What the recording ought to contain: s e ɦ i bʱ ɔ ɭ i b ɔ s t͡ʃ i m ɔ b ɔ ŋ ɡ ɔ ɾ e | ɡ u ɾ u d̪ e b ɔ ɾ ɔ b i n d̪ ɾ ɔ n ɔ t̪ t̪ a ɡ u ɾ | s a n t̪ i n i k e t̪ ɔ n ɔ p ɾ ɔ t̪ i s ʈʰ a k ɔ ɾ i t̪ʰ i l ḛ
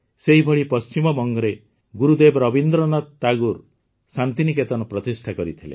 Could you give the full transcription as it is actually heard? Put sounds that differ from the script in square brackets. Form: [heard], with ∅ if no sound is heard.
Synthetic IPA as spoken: s e ɦ i bʱ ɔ ɭ i [p] ɔ s t͡ʃ i m ɔ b ɔ ŋ ɡ ɔ ɾ e | ɡ u ɾ u d̪ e b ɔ ɾ ɔ b i n d̪ ɾ ɔ n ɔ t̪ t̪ a ɡ u ɾ | s a n t̪ i n i k e t̪ ɔ n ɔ p ɾ ɔ t̪ i s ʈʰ a k ɔ ɾ i t̪ʰ i l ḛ